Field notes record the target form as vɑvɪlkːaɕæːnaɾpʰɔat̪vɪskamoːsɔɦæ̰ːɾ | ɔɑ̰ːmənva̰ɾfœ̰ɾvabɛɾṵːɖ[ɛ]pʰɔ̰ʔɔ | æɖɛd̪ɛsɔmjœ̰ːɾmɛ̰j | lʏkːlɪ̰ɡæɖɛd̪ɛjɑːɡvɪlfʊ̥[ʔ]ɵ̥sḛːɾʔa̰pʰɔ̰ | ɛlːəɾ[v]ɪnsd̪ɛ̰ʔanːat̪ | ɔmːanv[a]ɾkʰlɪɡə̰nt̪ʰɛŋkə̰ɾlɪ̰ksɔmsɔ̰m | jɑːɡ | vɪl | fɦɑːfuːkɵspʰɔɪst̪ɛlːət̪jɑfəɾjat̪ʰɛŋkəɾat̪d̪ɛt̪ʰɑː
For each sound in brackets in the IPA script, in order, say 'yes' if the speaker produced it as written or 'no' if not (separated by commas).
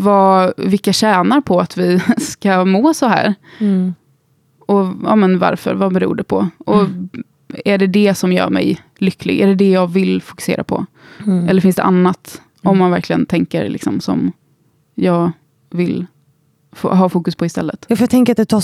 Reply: yes, no, no, no